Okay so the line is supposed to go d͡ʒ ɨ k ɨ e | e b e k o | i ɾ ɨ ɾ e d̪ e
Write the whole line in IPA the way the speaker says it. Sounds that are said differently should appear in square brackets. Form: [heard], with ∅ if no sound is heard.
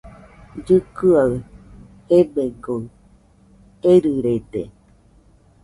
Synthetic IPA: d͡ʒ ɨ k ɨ [a] | e b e [ɡ] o | [e] ɾ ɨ ɾ e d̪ e